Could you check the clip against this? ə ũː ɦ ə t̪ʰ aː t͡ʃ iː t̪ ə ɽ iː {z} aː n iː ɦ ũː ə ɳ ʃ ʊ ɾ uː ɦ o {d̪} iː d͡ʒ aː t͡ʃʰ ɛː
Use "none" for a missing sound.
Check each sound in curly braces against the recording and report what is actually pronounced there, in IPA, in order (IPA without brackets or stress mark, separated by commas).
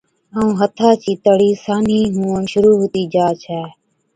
s, t̪